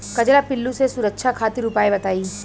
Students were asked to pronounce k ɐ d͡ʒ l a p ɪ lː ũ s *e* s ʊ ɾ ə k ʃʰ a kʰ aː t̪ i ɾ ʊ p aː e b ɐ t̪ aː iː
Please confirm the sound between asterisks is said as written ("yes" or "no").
yes